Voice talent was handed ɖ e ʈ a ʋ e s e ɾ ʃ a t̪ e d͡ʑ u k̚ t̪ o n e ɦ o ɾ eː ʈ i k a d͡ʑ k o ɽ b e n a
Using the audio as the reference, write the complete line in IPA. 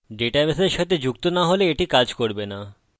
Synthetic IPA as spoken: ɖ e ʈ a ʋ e s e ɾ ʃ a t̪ e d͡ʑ u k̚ t̪ o n a ɦ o l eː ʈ i k a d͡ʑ k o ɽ b e n a